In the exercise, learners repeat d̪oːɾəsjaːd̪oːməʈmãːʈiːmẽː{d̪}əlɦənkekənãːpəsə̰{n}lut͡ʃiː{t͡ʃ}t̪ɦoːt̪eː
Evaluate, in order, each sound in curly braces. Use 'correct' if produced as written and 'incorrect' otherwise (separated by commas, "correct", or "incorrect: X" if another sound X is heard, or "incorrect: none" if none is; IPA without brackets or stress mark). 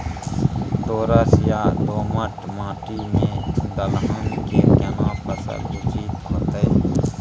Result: correct, incorrect: none, incorrect: none